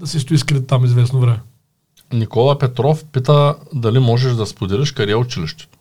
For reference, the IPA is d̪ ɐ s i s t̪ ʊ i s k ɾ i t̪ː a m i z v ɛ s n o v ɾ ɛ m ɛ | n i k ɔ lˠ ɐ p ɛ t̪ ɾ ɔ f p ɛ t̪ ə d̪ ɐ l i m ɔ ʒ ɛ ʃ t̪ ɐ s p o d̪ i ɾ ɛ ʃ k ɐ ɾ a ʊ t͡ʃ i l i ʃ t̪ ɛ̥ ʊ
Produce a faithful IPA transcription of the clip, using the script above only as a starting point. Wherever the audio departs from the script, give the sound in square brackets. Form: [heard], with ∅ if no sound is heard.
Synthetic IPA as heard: d̪ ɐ s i s t̪ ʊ i s k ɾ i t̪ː a m i z v ɛ s n o v ɾ ɛ m ɛ | n i k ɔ lˠ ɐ p ɛ t̪ ɾ ɔ f p [i] t̪ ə d̪ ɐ l i m ɔ ʒ ɛ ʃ [d̪] ɐ s p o d̪ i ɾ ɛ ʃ k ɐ ɾ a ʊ t͡ʃ i l i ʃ t̪ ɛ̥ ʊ